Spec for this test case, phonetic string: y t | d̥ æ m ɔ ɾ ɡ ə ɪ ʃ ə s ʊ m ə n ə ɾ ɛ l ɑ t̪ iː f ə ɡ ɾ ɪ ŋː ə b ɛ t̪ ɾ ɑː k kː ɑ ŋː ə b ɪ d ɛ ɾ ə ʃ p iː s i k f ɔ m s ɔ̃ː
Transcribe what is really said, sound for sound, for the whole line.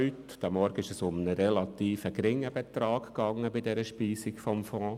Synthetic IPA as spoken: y t | d̥ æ m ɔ ɾ ɡ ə ɪ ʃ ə s ʊ m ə n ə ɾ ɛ l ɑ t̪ iː f ə ɡ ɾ ɪ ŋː ə b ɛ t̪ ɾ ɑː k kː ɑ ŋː ə b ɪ d ɛ ɾ ə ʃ p iː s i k f ɔ m f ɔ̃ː